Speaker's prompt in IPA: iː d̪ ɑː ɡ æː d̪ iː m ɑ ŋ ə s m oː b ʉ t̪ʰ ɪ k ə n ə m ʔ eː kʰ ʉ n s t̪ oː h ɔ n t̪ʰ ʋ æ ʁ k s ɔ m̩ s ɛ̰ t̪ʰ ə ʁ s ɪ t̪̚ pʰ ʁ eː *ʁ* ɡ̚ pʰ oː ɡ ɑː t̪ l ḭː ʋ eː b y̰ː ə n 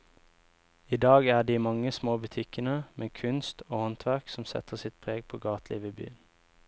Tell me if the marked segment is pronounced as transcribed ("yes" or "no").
no